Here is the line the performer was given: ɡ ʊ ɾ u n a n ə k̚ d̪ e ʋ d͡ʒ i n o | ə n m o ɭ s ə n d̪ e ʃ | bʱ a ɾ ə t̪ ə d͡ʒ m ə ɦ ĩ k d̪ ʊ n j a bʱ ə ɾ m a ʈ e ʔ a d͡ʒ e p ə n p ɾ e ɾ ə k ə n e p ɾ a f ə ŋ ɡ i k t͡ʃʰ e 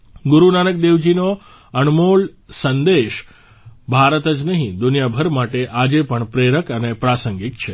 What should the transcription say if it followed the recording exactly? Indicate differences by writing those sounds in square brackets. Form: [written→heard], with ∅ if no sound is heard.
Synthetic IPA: ɡ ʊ ɾ u n a n ə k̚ d̪ e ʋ d͡ʒ i n o | ə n m o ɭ s ə n d̪ e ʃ | bʱ a ɾ ə t̪ ə d͡ʒ [m→n] ə ɦ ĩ [k→∅] d̪ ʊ n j a bʱ ə ɾ m a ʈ e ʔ a d͡ʒ e p ə [n→ɳ] p ɾ e ɾ ə k ə n e p ɾ a [f→s] ə ŋ ɡ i k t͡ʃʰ e